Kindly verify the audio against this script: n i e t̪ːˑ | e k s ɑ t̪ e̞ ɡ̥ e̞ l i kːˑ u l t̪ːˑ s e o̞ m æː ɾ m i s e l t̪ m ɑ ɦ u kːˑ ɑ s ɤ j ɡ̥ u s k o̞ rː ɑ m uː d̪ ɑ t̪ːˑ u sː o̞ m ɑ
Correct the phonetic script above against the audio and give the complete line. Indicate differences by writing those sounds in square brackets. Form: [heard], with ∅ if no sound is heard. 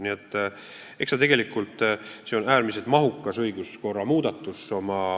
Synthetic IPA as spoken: n i e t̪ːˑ | e k s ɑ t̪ e̞ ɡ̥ e̞ l i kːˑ u l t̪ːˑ s e o̞ [n] æː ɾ m i s e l t̪ m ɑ ɦ u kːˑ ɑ s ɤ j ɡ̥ u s k o̞ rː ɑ m uː d̪ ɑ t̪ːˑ u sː o̞ m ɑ